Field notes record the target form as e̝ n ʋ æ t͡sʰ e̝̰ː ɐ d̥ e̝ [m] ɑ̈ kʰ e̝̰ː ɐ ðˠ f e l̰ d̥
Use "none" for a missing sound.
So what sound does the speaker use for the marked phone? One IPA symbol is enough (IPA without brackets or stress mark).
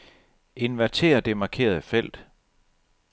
m